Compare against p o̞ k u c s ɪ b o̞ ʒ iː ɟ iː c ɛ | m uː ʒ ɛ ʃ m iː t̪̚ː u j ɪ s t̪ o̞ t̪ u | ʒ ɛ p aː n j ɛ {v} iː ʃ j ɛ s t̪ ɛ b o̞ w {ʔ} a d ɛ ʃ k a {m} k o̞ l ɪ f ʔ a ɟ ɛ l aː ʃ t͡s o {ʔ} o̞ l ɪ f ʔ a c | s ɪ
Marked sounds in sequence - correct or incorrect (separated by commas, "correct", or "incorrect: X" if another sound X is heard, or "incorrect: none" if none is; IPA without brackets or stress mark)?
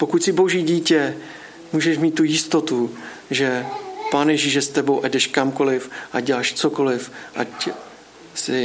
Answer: incorrect: ʒ, correct, correct, incorrect: k